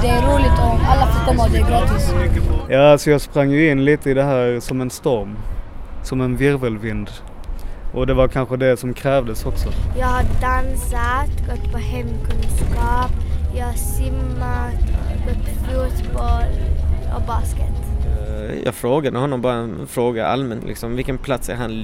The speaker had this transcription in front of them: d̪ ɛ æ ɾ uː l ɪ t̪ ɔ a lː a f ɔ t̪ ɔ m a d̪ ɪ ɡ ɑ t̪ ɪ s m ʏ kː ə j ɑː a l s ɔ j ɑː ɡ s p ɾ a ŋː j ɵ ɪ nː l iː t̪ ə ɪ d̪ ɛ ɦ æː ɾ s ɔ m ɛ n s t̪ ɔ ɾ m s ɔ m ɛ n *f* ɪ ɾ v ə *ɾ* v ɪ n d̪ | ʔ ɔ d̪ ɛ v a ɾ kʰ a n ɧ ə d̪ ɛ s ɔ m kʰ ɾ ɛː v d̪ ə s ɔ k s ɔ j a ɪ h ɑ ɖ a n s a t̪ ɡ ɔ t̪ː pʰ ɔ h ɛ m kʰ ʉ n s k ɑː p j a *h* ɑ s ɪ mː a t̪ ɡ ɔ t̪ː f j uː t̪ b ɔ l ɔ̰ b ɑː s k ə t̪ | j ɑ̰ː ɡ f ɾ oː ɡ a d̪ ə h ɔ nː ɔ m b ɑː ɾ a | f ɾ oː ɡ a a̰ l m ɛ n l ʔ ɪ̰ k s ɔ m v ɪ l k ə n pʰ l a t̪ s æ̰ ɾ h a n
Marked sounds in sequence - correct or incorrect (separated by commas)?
incorrect, incorrect, correct